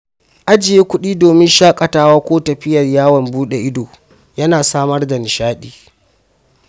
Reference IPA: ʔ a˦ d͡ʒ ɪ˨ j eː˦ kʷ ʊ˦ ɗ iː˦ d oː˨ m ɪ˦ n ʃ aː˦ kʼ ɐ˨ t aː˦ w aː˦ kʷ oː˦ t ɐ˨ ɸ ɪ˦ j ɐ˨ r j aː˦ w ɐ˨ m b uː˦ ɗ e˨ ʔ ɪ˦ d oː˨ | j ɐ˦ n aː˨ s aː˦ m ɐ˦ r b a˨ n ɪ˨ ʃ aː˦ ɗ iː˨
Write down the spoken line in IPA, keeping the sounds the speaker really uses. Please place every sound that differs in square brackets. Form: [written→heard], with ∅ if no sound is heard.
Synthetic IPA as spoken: ʔ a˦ d͡ʒ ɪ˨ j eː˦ kʷ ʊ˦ ɗ iː˦ d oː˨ m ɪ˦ n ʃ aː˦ kʼ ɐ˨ t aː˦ w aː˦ kʷ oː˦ t ɐ˨ ɸ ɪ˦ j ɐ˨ r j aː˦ w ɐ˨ m b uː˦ ɗ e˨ ʔ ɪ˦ d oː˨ | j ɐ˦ n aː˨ s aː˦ m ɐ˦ r [b→d] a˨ n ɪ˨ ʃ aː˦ ɗ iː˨